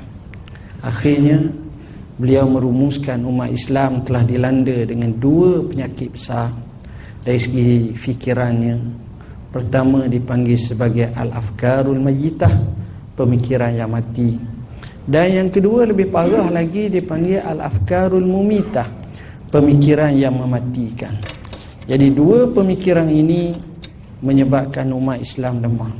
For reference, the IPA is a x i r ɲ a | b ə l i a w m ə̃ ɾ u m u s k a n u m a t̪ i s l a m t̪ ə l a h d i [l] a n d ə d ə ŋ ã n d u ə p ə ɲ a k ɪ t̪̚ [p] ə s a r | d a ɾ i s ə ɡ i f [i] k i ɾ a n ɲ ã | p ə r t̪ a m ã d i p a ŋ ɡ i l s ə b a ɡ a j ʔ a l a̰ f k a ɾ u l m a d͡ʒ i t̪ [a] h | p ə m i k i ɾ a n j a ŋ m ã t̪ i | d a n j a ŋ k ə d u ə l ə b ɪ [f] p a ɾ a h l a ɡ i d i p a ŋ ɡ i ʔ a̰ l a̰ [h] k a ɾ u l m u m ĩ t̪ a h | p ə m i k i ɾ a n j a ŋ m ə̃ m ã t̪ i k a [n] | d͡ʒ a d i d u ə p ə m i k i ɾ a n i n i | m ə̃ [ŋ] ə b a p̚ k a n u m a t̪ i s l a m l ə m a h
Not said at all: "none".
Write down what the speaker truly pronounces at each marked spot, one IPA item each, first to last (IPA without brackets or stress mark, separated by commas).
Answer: l, b, i, a, h, f, n, ɲ